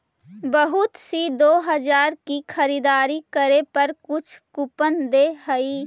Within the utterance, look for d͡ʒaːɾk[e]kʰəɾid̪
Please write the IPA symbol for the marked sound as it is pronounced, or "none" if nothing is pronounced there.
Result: i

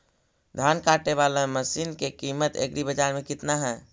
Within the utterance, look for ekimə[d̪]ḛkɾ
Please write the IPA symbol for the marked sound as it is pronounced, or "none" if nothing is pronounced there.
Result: t̪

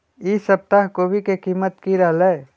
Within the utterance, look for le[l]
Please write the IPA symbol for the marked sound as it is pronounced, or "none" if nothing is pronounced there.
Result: none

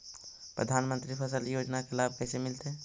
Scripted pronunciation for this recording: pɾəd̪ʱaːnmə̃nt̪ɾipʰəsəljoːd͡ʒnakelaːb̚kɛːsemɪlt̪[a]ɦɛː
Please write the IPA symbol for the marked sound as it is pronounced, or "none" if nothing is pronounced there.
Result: e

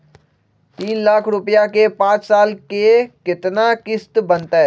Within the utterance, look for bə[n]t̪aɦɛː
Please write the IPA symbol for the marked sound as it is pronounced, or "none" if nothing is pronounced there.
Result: n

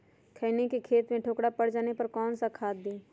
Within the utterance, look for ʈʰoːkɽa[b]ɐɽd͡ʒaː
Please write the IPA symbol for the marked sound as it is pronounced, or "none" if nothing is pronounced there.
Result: p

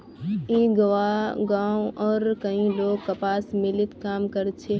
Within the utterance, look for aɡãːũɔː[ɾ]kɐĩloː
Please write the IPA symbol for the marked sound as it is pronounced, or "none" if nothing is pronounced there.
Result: ɾ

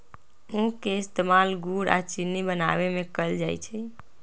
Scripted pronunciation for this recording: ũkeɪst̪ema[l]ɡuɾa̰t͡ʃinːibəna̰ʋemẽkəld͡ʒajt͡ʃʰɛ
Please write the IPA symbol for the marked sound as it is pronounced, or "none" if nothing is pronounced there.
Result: l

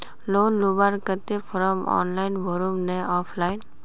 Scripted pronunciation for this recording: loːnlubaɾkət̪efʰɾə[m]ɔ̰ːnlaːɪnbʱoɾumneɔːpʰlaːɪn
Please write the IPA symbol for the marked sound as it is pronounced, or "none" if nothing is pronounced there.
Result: m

